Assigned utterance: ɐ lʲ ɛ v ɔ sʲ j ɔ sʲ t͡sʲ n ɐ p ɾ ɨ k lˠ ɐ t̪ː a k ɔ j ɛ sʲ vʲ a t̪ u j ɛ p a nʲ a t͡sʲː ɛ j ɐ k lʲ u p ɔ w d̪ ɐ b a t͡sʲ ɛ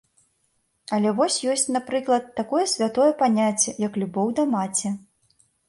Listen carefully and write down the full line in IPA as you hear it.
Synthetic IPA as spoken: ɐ lʲ ɛ v ɔ sʲ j ɔ sʲ t͡sʲ n a p ɾ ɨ k lˠ ɐ t̪ː a k ɔ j ɛ sʲ vʲ a t̪ ɔ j ɛ p a nʲ a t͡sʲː ɛ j ɐ k lʲ u b ɔ w d̪ ɐ m a t͡sʲ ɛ